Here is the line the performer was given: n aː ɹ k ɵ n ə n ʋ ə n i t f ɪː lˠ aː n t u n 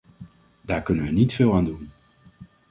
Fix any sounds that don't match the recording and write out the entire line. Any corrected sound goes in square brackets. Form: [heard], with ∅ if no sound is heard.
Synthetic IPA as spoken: [d] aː ɹ k ɵ n ə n ʋ ə n i t f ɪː lˠ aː n [d] u n